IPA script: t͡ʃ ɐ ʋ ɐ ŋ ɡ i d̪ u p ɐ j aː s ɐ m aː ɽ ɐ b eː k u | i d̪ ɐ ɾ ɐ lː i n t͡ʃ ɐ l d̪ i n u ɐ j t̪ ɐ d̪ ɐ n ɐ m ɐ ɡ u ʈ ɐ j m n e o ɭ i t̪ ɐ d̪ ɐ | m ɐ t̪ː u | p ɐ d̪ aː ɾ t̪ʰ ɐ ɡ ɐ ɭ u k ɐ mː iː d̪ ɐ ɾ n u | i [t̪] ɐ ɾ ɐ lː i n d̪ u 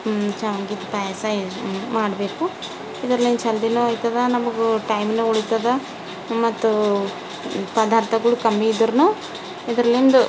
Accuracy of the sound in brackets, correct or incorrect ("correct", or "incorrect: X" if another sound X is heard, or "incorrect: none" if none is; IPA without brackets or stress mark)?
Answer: incorrect: d̪